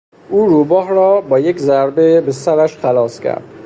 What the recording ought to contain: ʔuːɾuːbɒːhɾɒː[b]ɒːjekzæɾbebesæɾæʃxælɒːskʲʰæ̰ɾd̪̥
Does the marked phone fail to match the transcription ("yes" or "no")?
no